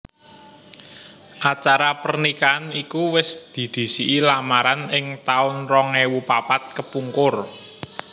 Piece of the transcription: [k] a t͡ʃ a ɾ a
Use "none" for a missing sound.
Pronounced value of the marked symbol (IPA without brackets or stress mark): ʔ